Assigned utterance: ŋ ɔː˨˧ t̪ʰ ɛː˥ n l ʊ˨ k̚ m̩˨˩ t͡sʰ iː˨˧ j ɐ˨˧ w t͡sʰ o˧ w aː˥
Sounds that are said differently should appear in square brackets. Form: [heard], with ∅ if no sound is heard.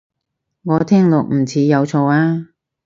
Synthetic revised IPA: ŋ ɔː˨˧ t̪ʰ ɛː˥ [ŋ] l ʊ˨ k̚ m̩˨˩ t͡sʰ iː˨˧ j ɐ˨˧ w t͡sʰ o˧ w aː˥